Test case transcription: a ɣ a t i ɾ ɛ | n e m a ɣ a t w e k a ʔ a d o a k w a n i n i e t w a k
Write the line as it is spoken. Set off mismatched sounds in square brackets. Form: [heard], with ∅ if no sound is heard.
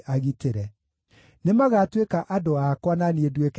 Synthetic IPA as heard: a ɣ [i] t [e] ɾ ɛ | n e m a ɣ a t w e k a ʔ a d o a k w a n [a] n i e [d] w [e] k